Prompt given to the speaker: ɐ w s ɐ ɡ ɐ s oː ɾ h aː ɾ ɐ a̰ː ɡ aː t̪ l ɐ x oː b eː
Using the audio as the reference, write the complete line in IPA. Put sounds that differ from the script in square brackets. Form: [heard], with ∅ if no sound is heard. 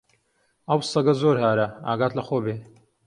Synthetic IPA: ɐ w s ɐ ɡ ɐ [z] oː ɾ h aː ɾ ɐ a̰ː ɡ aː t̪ l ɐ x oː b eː

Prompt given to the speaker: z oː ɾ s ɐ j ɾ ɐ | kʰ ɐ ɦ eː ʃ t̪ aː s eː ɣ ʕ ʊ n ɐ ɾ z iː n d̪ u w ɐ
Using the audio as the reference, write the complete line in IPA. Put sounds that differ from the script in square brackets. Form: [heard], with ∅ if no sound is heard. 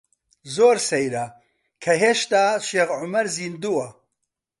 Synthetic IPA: z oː ɾ s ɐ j ɾ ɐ | kʰ ɐ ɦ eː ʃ t̪ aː [ʃ] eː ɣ ʕ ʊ [m] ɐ ɾ z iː n d̪ u w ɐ

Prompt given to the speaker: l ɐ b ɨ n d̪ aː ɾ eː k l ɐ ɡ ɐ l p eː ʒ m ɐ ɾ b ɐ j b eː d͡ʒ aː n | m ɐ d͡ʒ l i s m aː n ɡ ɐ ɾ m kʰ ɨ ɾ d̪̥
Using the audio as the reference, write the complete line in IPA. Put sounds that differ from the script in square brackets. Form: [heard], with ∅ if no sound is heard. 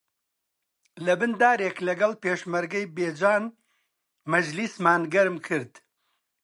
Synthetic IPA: l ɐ b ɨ n d̪ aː ɾ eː k l ɐ ɡ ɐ l p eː [ʃ] m ɐ ɾ [ɡ] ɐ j b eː d͡ʒ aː n | m ɐ d͡ʒ l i s m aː n ɡ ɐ ɾ m kʰ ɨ ɾ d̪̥

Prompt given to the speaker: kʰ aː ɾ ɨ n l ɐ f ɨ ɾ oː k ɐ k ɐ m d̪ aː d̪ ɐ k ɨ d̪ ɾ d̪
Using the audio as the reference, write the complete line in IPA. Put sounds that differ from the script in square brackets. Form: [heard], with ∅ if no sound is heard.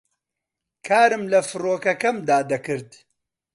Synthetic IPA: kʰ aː ɾ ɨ [m] l ɐ f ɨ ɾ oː k ɐ k ɐ m d̪ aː d̪ ɐ k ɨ [∅] ɾ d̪

